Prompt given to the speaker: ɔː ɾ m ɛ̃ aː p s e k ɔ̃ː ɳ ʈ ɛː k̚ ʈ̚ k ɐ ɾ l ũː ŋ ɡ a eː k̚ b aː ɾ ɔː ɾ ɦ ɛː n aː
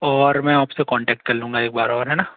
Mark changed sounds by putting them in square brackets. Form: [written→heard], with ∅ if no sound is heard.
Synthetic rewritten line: ɔː ɾ m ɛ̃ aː p s e k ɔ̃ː ɳ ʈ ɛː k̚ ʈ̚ k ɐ ɾ l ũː ŋ ɡ a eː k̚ b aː ɾ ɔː ɾ ɦ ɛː n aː